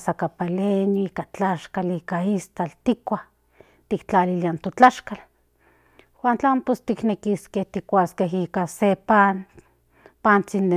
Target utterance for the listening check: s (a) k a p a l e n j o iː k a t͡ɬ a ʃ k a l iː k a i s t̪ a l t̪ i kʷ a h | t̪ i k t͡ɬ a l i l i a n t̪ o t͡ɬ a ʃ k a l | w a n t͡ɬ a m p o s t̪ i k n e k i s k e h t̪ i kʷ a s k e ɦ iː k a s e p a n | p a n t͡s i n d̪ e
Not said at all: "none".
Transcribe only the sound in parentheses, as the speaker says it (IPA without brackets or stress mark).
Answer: a